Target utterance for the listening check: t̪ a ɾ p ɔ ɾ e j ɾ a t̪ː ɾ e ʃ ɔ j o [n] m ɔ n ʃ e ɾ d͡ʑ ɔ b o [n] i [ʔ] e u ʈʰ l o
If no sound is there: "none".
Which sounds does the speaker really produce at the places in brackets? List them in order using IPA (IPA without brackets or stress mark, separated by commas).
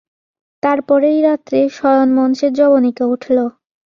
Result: n, n, k